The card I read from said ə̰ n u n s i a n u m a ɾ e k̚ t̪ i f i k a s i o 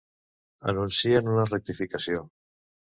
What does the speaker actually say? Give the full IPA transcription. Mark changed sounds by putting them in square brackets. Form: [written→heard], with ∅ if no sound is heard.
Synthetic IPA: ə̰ n u n s i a n u [m→n] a [ɾ→r] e k̚ t̪ i f i k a s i o